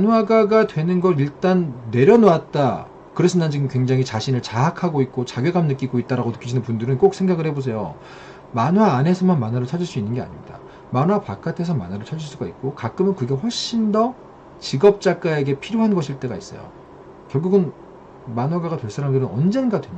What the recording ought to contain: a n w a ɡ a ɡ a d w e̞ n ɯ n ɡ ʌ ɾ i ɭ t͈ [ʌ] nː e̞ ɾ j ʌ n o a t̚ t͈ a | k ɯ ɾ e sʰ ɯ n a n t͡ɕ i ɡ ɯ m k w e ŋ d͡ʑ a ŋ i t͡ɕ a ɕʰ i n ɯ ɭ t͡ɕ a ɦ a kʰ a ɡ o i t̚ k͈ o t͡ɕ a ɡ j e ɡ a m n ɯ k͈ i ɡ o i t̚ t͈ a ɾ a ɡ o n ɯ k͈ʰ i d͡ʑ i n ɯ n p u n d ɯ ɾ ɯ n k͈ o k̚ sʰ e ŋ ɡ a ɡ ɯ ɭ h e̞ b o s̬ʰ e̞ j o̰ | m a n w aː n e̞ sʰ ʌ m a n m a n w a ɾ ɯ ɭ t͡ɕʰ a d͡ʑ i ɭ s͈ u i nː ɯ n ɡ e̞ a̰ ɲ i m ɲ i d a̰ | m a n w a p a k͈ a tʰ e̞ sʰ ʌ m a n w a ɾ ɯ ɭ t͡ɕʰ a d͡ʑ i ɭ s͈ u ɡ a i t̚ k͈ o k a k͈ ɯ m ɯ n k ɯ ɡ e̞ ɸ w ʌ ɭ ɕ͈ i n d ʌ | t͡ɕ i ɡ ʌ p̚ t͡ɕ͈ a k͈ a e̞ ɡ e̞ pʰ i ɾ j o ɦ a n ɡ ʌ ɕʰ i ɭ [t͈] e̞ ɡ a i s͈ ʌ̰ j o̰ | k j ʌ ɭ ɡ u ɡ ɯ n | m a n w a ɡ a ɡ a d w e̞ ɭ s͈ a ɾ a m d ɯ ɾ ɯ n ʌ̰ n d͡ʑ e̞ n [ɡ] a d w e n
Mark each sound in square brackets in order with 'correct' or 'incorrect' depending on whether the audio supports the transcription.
incorrect, correct, correct

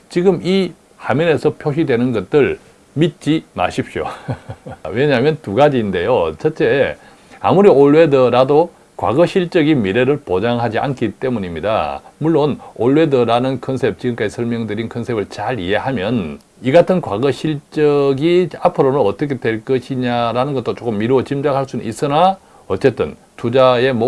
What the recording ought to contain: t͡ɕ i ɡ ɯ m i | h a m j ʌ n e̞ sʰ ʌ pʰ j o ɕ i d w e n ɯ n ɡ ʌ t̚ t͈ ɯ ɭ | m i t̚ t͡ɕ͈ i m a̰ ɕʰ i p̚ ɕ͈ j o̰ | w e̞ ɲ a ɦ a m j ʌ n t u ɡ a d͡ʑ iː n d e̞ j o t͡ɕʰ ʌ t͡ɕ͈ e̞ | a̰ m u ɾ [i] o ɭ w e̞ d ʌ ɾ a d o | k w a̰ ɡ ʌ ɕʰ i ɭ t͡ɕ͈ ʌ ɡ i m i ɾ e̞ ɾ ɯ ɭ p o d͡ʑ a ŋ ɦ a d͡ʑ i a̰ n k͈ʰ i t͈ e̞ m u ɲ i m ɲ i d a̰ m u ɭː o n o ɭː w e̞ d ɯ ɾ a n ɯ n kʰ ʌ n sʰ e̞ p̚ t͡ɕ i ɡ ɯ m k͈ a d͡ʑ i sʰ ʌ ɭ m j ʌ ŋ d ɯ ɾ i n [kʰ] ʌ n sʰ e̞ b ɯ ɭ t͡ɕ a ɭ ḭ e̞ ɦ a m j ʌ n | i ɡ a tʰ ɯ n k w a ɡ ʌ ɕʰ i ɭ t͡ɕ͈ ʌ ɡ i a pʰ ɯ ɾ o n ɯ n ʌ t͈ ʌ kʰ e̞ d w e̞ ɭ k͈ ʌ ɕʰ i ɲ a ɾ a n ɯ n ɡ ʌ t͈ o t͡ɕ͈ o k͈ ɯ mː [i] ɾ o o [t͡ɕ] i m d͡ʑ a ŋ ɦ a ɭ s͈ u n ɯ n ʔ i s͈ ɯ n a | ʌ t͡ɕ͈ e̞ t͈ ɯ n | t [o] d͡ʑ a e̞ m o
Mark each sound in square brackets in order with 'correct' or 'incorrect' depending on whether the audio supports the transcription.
correct, correct, correct, correct, incorrect

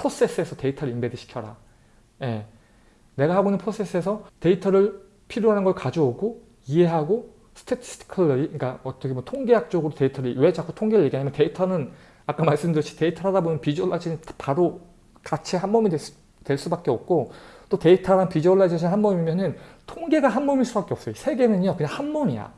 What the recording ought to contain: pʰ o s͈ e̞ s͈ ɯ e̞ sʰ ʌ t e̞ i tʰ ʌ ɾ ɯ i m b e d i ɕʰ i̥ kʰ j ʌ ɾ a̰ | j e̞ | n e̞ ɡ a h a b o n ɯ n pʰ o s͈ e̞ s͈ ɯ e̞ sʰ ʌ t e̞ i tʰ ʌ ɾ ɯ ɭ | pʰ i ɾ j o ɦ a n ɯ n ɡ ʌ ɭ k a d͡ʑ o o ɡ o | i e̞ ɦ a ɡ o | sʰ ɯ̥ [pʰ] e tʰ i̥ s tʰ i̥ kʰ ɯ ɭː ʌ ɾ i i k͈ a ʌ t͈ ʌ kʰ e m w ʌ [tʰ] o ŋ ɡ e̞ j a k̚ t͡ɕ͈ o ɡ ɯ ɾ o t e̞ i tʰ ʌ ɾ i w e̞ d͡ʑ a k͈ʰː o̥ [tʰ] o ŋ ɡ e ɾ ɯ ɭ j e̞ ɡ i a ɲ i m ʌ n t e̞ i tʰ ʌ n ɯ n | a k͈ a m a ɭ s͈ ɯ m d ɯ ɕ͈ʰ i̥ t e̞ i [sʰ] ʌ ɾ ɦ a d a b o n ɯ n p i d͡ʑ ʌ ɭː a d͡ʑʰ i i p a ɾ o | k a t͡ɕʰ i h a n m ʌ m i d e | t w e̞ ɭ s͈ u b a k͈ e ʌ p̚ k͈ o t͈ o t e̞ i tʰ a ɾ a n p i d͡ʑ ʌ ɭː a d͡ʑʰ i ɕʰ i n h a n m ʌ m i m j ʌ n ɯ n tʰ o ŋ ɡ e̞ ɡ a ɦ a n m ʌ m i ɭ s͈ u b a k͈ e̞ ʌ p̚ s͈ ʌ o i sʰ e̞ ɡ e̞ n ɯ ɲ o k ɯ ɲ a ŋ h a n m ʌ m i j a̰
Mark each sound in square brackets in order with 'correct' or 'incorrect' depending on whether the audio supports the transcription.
incorrect, correct, correct, incorrect

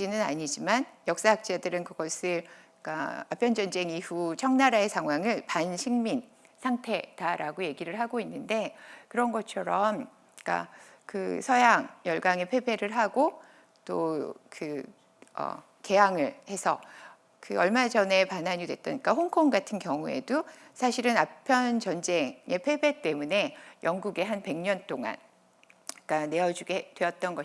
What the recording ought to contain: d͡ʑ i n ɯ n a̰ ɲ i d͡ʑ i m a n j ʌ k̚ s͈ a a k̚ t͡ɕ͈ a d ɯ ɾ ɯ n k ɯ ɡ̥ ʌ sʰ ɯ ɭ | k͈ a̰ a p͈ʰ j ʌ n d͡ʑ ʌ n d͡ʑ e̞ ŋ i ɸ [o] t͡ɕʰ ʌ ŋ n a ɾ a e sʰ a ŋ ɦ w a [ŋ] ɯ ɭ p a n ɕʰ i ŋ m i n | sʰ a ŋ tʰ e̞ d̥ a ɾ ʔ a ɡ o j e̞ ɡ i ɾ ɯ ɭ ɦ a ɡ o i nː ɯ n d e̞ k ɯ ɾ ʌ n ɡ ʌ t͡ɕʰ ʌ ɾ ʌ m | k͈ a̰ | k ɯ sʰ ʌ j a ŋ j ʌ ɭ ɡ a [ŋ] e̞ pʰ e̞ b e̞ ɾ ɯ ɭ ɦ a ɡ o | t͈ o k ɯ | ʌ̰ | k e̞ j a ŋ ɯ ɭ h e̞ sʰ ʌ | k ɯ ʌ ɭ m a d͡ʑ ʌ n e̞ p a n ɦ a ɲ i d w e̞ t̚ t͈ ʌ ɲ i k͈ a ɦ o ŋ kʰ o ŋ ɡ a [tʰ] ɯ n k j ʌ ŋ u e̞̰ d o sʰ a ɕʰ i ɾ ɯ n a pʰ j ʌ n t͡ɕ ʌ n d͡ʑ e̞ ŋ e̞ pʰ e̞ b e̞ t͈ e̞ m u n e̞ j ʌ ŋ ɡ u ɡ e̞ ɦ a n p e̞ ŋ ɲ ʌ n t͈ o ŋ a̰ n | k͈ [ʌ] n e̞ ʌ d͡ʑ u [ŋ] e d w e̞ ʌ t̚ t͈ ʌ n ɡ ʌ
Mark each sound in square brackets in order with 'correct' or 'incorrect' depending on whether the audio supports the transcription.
incorrect, correct, correct, correct, incorrect, incorrect

